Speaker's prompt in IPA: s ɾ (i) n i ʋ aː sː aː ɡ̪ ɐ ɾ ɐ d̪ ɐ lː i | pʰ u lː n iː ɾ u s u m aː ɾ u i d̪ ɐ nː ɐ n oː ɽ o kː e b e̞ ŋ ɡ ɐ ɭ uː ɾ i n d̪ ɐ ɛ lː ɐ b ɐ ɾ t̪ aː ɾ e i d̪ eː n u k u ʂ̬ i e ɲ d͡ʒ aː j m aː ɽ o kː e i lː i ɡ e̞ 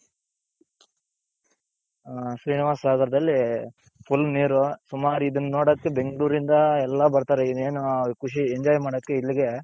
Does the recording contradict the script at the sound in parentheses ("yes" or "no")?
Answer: yes